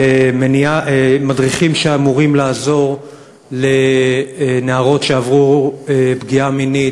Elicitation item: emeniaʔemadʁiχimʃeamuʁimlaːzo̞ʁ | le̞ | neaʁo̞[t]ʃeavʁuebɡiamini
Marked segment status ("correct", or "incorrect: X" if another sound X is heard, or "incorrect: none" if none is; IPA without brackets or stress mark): correct